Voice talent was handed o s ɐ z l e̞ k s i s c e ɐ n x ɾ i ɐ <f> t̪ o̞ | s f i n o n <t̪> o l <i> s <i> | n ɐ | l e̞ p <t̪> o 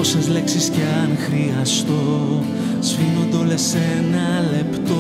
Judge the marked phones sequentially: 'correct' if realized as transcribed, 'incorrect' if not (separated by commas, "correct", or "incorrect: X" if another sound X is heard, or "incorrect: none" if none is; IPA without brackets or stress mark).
incorrect: s, incorrect: d̪, incorrect: e, incorrect: e, correct